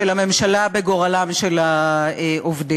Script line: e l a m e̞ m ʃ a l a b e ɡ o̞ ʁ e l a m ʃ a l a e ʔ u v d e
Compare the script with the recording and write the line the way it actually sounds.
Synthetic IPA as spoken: e l a m e̞ m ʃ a l a b e ɡ o̞ ʁ a l a m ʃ e l a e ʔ o v d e